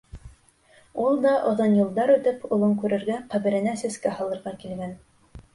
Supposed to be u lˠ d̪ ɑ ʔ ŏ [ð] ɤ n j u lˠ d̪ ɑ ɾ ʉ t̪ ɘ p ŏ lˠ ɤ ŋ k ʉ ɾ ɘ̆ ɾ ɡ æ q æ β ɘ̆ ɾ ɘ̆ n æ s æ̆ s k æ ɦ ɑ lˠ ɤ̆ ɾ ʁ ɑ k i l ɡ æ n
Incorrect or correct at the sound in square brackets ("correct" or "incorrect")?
correct